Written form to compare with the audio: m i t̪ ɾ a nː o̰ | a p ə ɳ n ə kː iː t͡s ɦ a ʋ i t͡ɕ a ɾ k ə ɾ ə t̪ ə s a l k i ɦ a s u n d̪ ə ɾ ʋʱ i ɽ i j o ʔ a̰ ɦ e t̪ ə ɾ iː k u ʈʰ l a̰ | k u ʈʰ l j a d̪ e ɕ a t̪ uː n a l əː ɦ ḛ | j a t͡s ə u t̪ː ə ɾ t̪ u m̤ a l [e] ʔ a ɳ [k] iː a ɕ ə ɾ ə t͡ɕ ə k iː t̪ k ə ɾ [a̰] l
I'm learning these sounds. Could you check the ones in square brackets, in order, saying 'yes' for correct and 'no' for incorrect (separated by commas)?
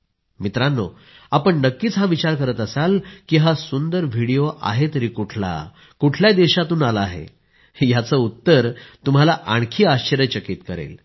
no, no, no